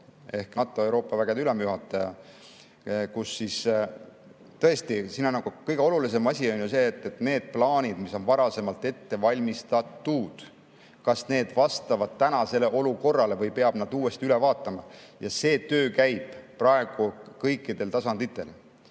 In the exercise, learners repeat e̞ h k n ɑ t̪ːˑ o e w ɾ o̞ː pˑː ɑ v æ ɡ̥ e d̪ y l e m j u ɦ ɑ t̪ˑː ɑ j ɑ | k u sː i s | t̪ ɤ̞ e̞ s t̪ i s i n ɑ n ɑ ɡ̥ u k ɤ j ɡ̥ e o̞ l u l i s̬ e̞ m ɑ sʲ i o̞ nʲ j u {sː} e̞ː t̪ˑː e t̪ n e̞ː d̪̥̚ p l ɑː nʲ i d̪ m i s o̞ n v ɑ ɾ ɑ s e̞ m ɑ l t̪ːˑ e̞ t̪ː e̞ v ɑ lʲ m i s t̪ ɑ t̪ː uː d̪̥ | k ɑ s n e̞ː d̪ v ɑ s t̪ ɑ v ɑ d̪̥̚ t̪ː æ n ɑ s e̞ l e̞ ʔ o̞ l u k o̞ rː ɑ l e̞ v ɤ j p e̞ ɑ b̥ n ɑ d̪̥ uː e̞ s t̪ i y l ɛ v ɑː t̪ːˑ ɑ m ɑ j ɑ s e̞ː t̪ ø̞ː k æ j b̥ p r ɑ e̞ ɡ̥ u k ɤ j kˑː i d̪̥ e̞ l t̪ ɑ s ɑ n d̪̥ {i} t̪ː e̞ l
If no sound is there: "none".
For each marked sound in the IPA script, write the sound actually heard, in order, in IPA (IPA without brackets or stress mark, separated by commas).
s, i